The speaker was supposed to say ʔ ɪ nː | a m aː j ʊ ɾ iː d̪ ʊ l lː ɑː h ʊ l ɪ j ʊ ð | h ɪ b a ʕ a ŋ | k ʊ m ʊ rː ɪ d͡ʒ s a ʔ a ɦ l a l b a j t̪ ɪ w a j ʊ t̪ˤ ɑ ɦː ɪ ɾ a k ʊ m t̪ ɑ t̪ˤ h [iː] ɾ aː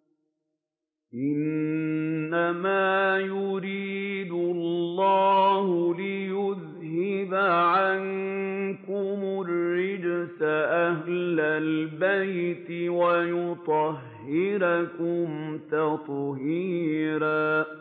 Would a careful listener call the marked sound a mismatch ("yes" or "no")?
no